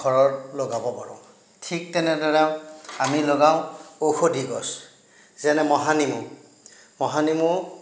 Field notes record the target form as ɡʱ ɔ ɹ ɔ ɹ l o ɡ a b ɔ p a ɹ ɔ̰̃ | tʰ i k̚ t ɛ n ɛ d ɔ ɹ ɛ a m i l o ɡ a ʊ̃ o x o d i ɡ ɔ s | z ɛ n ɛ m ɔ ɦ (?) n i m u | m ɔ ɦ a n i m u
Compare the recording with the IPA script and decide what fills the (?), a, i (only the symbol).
a